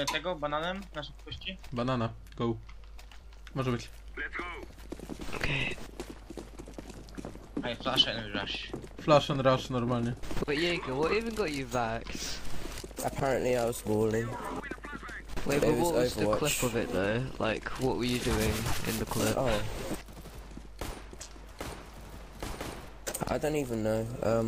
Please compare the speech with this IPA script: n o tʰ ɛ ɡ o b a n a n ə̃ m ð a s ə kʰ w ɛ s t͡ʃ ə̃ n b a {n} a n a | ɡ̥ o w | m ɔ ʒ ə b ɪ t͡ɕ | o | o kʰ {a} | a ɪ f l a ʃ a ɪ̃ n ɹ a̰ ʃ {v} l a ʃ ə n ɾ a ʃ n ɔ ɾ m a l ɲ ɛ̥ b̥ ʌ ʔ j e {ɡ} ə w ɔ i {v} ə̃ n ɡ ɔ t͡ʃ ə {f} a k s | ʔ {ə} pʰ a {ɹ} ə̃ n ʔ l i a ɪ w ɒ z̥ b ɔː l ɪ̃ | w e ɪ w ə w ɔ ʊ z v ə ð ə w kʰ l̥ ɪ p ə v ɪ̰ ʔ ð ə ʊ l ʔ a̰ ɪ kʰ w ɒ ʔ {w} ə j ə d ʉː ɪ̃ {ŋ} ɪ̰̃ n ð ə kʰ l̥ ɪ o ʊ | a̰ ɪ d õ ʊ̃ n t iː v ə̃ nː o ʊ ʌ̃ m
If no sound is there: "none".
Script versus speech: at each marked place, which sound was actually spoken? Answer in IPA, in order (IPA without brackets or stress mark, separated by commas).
n, e, f, ɡ, v, v, ə, ɹ, w, ŋ